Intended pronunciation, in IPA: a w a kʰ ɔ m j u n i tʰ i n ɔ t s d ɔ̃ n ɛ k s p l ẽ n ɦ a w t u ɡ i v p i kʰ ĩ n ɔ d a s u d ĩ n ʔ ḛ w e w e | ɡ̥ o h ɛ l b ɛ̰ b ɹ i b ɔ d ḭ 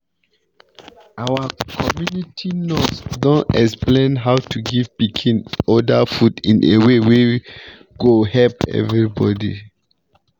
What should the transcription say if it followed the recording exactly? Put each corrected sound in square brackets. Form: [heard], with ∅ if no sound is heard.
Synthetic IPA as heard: a w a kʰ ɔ m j u n i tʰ i n ɔ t s d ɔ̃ n ɛ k s p l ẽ n ɦ a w t u ɡ i v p i kʰ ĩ n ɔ d a [f] u d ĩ n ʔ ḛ w e w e | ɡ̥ o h ɛ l [p] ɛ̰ [v] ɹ i b ɔ d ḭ